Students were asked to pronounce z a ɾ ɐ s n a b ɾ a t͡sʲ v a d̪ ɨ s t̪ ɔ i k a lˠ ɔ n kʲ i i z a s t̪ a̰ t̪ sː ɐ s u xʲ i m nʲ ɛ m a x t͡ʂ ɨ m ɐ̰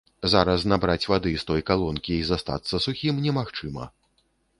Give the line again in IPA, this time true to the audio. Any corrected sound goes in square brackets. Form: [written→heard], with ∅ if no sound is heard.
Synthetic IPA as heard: z a ɾ ɐ s n a b ɾ a t͡sʲ v a d̪ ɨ s t̪ ɔ [i→j] k a lˠ ɔ n kʲ i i z a s t̪ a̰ t̪ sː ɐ s u xʲ i m nʲ ɛ m a x t͡ʂ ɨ m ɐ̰